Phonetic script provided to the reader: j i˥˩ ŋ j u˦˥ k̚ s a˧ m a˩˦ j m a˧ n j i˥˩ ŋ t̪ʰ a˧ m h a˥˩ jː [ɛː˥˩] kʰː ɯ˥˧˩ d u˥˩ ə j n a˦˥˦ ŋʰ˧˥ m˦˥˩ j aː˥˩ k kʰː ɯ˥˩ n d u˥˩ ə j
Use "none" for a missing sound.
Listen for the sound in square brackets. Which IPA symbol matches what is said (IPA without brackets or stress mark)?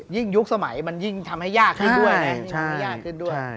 aː˥˩